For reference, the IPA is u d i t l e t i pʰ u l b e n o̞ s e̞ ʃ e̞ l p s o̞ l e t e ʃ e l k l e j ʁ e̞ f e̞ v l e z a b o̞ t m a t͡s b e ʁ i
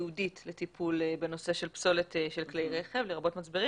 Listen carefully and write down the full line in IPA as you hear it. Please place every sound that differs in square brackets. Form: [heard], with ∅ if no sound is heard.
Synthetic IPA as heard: u d i t l e t i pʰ u l b e n o̞ s e̞ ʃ e̞ l p s o̞ l e t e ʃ e l k l e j ʁ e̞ [χ] e̞ v l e [ʁ] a b o̞ t m a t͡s b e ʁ i